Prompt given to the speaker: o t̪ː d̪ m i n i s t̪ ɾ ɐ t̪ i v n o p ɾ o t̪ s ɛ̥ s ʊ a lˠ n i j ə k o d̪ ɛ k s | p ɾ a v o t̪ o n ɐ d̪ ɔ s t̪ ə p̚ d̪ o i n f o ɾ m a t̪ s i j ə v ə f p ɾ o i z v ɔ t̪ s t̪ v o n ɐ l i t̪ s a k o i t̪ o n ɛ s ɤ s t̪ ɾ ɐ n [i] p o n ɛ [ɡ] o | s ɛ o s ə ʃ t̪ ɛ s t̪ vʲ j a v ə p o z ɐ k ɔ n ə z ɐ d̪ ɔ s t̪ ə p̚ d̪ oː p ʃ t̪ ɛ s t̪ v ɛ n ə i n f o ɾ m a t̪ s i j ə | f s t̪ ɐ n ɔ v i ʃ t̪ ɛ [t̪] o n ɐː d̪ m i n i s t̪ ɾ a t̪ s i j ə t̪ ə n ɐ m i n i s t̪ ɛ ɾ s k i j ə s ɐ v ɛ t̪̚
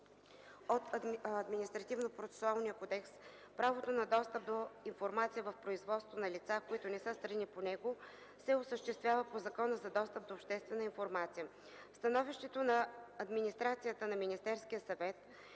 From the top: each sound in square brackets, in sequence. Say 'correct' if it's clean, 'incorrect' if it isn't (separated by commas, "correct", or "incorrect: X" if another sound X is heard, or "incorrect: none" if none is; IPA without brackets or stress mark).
correct, correct, correct